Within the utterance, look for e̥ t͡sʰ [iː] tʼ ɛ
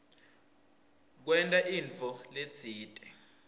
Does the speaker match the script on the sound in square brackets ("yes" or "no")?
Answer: yes